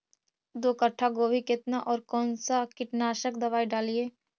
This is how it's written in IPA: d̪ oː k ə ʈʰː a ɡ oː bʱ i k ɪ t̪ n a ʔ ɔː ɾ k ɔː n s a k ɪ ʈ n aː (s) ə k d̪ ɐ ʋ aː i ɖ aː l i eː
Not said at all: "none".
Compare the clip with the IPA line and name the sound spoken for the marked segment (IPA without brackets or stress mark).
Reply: ʃ